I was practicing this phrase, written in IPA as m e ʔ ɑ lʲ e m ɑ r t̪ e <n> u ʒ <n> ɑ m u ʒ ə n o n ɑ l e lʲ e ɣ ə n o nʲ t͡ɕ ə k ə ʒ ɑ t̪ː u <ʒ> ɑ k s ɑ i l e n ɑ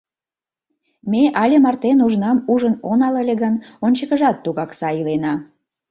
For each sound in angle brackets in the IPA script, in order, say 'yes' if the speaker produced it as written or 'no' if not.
yes, yes, no

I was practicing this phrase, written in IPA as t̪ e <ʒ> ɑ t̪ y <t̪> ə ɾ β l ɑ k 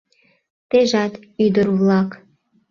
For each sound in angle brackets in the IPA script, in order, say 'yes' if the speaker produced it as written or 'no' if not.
yes, no

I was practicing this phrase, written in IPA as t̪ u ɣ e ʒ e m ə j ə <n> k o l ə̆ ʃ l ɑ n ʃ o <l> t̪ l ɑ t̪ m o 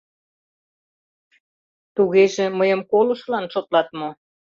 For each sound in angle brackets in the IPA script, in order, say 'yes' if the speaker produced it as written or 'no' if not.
no, no

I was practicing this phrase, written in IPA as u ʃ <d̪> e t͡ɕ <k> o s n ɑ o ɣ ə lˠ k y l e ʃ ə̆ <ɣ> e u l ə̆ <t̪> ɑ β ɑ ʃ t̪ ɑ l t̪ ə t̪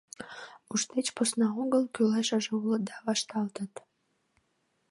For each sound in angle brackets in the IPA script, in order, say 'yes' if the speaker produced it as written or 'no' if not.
no, no, no, no

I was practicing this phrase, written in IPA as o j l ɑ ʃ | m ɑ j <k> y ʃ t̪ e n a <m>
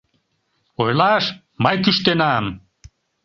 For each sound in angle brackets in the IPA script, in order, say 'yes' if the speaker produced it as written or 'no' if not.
yes, yes

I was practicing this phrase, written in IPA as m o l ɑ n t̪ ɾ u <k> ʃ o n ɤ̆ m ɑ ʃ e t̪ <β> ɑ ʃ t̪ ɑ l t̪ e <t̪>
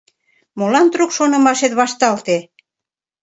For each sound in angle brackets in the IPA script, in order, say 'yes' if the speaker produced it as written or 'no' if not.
yes, yes, no

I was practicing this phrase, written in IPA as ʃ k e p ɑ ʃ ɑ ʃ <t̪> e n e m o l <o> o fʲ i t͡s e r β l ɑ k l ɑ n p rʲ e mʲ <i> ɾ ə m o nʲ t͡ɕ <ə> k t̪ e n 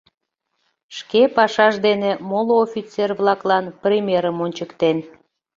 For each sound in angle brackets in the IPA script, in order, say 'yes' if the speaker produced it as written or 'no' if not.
no, yes, no, yes

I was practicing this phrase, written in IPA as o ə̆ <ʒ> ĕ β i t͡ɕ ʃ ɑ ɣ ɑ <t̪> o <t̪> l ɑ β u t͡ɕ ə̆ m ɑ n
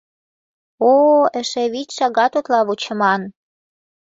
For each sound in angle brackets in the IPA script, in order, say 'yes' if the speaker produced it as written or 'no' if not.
no, yes, yes

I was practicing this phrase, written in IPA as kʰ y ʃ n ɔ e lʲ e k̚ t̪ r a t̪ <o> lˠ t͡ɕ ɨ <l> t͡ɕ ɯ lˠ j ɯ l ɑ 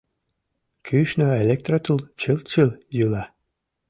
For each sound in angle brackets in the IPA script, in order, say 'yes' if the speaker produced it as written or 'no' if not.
no, yes

